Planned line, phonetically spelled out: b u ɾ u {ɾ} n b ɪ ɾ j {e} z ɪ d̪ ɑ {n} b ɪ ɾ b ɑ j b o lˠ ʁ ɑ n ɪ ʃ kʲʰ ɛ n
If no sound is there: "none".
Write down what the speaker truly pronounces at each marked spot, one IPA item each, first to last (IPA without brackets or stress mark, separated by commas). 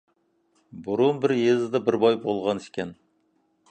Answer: none, e, none